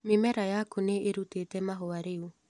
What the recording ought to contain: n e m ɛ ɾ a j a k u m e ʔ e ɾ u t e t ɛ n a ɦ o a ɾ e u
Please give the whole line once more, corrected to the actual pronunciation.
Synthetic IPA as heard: m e m ɛ ɾ a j a k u n e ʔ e ɾ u t e t ɛ m a ɦ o a ɾ e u